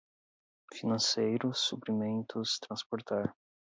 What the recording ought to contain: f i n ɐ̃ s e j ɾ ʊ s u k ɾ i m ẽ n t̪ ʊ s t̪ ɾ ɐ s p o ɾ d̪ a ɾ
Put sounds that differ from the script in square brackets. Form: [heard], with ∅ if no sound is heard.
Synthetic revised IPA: f i n ɐ̃ s e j ɾ ʊ s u [p] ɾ i m ẽ n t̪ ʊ s t̪ ɾ [ɐ̃] s p o ɾ [t̪] a ɾ